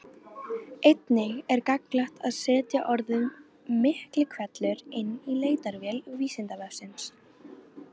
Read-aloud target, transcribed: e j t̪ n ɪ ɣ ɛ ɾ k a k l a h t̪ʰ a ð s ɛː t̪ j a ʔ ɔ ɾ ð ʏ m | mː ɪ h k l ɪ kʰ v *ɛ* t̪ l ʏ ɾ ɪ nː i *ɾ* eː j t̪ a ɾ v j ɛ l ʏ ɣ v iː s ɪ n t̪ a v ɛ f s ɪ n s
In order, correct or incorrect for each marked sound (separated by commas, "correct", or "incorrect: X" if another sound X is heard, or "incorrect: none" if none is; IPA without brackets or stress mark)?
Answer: correct, incorrect: l